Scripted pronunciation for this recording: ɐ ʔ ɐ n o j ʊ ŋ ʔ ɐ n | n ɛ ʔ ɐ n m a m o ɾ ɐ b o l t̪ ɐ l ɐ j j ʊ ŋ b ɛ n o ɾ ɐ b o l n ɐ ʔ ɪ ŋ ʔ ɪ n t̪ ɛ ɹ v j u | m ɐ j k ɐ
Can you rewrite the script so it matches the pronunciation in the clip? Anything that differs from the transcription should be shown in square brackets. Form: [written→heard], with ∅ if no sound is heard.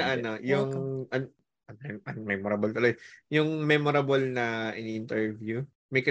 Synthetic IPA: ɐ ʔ ɐ n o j ʊ ŋ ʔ ɐ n | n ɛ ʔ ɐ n m [a→ɛ] m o ɾ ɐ b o l t̪ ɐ l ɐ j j ʊ ŋ [b→m] ɛ [n→m] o ɾ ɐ b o l n ɐ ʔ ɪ [ŋ→n] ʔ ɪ n t̪ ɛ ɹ v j u | m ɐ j k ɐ